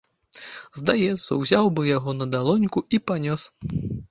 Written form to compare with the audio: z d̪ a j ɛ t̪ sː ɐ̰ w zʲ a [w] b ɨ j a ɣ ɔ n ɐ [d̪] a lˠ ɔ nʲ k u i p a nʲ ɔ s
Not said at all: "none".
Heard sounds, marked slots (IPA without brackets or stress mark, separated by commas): w, d̪